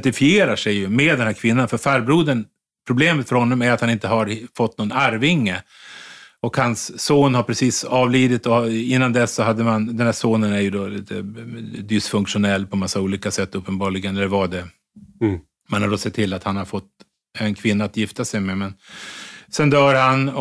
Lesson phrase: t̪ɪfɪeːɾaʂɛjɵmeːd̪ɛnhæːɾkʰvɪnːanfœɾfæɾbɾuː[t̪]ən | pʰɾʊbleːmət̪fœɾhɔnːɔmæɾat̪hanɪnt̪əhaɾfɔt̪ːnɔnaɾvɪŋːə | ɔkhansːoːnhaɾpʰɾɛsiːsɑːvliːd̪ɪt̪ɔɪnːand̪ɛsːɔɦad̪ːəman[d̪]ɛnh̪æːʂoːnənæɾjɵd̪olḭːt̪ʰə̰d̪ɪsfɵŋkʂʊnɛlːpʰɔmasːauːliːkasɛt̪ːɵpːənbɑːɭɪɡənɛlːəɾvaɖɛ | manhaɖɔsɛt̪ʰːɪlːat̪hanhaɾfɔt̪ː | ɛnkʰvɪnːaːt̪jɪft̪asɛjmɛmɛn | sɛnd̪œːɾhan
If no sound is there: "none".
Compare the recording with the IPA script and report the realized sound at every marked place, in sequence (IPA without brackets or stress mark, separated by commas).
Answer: d̪, d̪